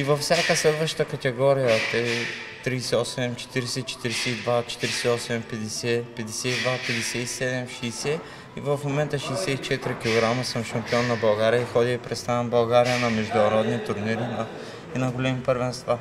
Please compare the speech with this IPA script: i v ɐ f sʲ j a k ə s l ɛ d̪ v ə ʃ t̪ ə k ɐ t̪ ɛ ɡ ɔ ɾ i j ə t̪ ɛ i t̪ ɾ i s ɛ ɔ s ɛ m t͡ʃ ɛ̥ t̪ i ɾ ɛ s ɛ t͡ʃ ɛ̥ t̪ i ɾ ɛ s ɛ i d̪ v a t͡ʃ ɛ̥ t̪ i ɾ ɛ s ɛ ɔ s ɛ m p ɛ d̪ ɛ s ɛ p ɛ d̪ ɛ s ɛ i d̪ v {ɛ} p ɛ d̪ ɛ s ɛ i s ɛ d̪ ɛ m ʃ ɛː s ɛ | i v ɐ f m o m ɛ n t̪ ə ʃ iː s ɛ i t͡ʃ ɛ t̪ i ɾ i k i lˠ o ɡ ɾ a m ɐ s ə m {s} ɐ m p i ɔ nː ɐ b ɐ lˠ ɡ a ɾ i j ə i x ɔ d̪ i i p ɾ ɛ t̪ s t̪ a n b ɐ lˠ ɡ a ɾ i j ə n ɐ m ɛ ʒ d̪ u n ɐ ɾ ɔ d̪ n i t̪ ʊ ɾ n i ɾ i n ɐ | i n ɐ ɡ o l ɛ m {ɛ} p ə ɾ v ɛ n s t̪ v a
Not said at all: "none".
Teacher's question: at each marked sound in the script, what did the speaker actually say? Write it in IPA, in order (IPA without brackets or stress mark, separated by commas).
a, ʃ, i